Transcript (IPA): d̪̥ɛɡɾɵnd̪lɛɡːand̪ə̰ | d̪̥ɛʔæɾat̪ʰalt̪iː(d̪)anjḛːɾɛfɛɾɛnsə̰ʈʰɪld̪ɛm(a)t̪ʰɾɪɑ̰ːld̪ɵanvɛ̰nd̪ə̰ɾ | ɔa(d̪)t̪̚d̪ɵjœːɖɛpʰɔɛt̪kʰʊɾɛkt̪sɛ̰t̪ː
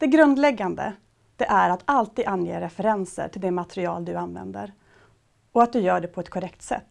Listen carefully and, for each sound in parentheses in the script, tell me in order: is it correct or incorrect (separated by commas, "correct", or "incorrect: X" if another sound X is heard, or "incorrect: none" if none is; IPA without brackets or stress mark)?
correct, correct, incorrect: none